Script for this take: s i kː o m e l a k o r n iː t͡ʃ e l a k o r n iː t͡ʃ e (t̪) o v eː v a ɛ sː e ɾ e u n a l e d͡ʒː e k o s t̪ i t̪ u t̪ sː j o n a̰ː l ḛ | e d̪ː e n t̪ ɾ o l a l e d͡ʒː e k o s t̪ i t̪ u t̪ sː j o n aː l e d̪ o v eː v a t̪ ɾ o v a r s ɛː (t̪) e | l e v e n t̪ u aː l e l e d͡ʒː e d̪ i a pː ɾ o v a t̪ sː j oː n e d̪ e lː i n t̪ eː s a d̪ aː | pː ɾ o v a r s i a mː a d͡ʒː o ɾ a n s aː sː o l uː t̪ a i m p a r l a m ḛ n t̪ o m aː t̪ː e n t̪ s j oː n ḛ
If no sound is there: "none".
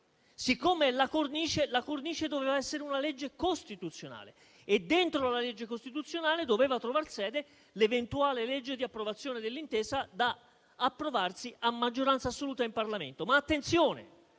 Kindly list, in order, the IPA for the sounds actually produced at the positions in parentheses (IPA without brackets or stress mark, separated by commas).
d̪, d̪